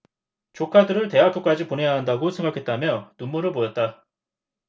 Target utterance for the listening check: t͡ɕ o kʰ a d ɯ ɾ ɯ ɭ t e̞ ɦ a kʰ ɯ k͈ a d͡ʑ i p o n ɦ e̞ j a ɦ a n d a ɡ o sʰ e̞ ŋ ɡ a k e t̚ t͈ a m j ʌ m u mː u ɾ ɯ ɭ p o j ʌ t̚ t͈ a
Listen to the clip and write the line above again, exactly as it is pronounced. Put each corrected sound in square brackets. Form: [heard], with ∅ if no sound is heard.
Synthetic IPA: t͡ɕ o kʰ a d ɯ ɾ ɯ ɭ t e̞ ɦ a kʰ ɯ k͈ a d͡ʑ i p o n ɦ e̞ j a ɦ a n d a ɡ o sʰ e̞ ŋ ɡ a [kʰ] e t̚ t͈ a m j ʌ [n] u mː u ɾ ɯ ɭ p o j ʌ t̚ t͈ a